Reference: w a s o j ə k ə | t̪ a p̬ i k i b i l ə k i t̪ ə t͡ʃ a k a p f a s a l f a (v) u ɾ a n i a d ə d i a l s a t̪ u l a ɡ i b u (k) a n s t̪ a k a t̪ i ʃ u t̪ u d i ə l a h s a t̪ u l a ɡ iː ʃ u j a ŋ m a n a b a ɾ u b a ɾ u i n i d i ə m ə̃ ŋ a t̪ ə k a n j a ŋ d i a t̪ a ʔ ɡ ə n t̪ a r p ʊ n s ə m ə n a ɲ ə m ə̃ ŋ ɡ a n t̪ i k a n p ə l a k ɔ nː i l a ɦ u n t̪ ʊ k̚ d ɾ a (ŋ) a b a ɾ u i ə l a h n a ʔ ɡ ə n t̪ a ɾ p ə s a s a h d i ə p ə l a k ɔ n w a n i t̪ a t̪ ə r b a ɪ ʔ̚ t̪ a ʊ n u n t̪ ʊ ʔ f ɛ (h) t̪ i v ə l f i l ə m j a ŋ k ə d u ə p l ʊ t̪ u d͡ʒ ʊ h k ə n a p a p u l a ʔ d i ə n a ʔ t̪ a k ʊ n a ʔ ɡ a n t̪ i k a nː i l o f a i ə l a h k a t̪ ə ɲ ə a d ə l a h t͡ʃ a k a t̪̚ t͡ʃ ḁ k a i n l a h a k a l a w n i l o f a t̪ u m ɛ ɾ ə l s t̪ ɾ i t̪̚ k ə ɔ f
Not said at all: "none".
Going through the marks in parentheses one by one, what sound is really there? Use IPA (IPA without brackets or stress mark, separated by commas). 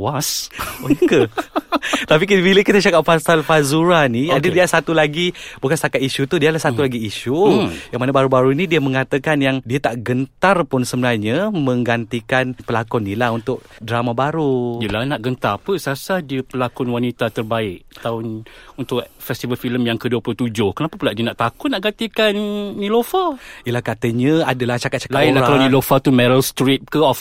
z, k, m, s